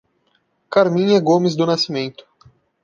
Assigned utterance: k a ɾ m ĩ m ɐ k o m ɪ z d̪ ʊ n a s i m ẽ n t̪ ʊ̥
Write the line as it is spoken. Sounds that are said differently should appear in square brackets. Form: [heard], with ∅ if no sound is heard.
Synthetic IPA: k a ɾ m ĩ [ɲ] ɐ [ɡ] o m ɪ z d̪ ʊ n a s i m ẽ n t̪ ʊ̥